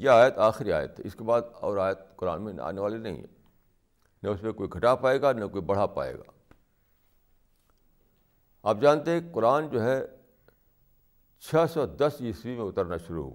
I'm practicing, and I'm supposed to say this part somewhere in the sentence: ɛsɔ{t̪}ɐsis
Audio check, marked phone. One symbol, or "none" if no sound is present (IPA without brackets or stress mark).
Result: d̪